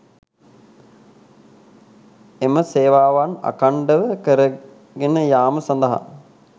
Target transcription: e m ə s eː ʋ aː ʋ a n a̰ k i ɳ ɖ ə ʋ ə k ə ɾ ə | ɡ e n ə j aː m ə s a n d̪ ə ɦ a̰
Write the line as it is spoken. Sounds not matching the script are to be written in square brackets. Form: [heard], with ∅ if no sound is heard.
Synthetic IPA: e m ə s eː ʋ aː ʋ a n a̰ k [a] ɳ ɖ ə ʋ ə k ə ɾ ə | ɡ e n ə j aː m ə s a n d̪ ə ɦ a̰